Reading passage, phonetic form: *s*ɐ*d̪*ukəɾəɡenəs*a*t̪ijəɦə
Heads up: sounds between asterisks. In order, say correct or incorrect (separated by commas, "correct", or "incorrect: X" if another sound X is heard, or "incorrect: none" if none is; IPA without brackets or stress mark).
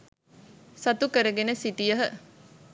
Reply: correct, incorrect: t̪, incorrect: i